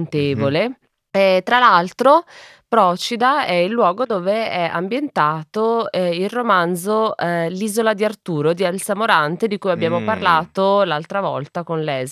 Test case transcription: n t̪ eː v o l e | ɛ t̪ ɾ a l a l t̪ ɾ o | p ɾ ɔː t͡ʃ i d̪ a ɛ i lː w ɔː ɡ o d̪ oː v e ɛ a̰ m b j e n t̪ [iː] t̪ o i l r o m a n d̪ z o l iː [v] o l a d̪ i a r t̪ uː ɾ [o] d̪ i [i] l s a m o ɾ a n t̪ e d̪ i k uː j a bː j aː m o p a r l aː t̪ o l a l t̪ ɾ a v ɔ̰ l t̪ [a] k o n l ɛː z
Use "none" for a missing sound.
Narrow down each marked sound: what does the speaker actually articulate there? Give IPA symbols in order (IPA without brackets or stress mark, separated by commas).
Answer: aː, z, o, a, a